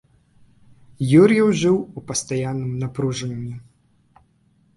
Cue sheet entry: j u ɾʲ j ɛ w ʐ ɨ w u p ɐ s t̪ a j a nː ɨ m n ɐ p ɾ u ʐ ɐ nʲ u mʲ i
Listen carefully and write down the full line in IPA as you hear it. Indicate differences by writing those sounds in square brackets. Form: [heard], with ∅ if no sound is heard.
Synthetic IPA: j u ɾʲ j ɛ w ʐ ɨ w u p ɐ s t̪ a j a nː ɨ m n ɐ p ɾ u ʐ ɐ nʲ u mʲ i